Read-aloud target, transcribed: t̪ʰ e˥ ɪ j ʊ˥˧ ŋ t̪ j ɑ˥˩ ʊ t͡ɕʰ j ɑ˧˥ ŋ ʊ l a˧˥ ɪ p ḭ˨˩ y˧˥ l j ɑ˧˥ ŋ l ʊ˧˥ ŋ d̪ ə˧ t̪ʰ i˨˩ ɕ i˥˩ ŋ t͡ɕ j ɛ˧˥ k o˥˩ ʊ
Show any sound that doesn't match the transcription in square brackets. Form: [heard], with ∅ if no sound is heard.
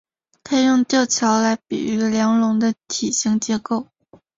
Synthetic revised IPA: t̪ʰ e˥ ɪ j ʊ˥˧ ŋ t̪ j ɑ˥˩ ʊ t͡ɕʰ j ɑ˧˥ [∅] ʊ l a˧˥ ɪ p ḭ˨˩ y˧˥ l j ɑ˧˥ ŋ l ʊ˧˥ ŋ d̪ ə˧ t̪ʰ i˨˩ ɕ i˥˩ ŋ t͡ɕ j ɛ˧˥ k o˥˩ ʊ

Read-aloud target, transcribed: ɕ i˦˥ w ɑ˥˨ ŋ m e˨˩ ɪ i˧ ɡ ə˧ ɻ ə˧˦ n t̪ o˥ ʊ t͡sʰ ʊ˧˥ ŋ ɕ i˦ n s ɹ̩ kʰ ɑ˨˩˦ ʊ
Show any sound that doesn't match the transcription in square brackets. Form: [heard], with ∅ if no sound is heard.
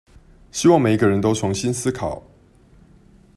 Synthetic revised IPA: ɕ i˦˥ w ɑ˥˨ ŋ m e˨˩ ɪ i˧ ɡ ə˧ ɻ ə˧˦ n t̪ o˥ ʊ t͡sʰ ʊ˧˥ ŋ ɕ i˦ n s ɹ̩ kʰ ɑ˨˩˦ ʊ

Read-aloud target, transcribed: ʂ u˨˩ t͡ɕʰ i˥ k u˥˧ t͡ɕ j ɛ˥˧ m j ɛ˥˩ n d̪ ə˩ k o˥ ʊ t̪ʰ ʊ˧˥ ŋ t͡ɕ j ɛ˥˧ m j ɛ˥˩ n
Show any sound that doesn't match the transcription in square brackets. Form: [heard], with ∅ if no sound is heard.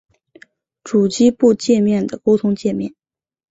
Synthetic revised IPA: [ʈ͡ʂ] u˨˩ [t͡ɕ] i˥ [p] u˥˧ t͡ɕ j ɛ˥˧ m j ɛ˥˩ n d̪ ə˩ k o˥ ʊ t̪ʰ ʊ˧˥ ŋ t͡ɕ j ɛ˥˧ m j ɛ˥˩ n

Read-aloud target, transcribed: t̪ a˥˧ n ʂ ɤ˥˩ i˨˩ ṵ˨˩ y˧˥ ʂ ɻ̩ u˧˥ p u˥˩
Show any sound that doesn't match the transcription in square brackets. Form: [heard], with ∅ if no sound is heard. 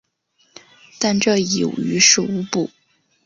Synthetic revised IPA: t̪ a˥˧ n [ʈ͡ʂ] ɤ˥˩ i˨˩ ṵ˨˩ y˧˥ ʂ ɻ̩ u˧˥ p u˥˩

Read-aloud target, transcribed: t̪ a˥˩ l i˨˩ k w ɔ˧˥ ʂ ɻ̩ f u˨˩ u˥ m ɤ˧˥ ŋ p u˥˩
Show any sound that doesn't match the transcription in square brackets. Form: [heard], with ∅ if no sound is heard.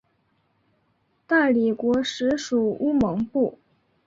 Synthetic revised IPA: t̪ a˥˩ l i˨˩ k w ɔ˧˥ ʂ ɻ̩ [ʂ] u˨˩ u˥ m ɤ˧˥ ŋ p u˥˩

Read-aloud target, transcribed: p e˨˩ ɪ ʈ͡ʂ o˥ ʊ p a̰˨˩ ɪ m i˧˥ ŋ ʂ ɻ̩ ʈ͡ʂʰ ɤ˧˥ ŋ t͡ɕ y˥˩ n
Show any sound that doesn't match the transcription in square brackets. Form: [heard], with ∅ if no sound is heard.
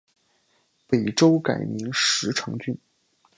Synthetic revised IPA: p e˨˩ ɪ ʈ͡ʂ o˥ ʊ [k] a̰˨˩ ɪ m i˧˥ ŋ ʂ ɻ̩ ʈ͡ʂʰ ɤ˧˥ ŋ t͡ɕ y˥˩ n

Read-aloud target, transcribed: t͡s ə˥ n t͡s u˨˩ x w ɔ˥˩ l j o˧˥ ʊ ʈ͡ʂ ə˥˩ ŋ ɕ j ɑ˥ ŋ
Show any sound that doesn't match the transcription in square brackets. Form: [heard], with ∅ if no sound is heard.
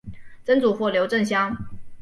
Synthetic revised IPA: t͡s ə˥ n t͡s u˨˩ x w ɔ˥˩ l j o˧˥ ʊ ʈ͡ʂ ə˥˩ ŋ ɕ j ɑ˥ ŋ

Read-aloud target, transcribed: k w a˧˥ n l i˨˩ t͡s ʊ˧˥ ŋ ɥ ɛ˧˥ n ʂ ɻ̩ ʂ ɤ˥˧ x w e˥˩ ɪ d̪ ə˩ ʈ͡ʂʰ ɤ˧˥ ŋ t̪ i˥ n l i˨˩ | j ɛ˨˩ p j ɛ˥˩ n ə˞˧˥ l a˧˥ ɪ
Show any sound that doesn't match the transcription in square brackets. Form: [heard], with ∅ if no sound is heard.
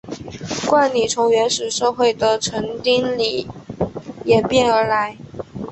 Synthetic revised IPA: k w [a˥˩] n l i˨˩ [t͡sʰ] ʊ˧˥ ŋ ɥ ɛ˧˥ n ʂ ɻ̩ ʂ ɤ˥˧ x w e˥˩ ɪ d̪ ə˩ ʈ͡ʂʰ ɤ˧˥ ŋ t̪ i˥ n l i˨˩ | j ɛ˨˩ p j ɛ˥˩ n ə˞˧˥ l a˧˥ ɪ

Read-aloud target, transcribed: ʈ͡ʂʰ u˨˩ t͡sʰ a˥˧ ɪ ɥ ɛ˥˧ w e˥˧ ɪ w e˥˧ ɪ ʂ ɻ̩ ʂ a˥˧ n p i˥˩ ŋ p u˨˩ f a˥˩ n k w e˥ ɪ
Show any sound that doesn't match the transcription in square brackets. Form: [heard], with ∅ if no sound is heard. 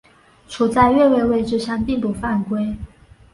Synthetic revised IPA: ʈ͡ʂʰ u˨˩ [t͡s] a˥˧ ɪ ɥ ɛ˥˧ w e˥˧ ɪ w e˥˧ ɪ [ʈ͡ʂ] ɻ̩ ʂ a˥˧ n p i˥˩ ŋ p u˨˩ f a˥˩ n k w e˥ ɪ

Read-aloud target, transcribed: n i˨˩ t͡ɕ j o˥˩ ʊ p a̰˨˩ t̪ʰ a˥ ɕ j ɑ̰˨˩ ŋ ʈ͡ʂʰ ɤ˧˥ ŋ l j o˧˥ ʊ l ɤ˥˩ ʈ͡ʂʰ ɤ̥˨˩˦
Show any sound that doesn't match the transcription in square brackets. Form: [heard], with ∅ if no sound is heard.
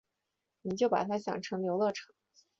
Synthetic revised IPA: n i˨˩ t͡ɕ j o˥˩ ʊ p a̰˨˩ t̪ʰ a˥ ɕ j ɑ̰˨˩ ŋ ʈ͡ʂʰ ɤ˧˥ ŋ l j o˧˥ ʊ l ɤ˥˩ ʈ͡ʂʰ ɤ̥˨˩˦

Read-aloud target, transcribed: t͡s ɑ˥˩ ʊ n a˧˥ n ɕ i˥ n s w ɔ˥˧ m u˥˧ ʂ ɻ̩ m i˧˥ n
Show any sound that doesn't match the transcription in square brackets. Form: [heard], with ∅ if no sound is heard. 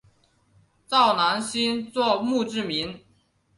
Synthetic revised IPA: t͡s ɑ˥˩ ʊ n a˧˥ n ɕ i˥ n [t͡s] w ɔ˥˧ m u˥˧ [ʈ͡ʂ] ɻ̩ m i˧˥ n

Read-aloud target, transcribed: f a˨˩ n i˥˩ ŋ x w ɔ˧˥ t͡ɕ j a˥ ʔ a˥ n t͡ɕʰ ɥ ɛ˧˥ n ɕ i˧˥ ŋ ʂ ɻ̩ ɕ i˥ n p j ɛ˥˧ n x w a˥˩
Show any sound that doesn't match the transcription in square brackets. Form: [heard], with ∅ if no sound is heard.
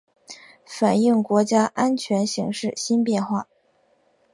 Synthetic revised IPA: f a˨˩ n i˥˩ ŋ [k] w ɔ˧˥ t͡ɕ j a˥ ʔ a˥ n t͡ɕʰ ɥ ɛ˧˥ n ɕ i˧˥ ŋ ʂ ɻ̩ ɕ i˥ n p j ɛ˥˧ n x w a˥˩

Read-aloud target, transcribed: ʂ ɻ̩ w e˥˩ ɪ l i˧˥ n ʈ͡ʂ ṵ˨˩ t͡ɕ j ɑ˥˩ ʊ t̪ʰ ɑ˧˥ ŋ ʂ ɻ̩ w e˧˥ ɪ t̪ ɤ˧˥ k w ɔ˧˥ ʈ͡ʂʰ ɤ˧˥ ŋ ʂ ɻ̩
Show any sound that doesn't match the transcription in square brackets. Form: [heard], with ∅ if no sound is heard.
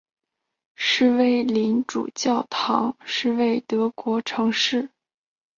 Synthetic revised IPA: ʂ ɻ̩ w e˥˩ ɪ l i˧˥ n ʈ͡ʂ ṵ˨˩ t͡ɕ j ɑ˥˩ ʊ t̪ʰ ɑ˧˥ ŋ ʂ ɻ̩ w [e˥˩] ɪ t̪ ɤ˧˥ k w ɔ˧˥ ʈ͡ʂʰ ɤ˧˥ ŋ ʂ ɻ̩

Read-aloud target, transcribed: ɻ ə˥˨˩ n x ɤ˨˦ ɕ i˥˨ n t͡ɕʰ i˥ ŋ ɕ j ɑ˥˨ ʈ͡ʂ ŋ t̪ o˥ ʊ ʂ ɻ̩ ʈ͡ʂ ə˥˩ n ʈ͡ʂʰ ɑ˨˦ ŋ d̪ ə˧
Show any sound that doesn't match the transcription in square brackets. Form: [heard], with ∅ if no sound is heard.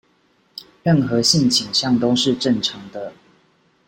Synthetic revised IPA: ɻ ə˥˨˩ n x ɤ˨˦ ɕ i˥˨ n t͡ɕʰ [i˨˩] ŋ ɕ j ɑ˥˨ [∅] ŋ t̪ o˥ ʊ ʂ ɻ̩ ʈ͡ʂ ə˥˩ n ʈ͡ʂʰ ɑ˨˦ ŋ d̪ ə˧

